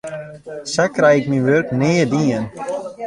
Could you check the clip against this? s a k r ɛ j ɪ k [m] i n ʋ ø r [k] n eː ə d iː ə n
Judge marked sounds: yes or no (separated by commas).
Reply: yes, yes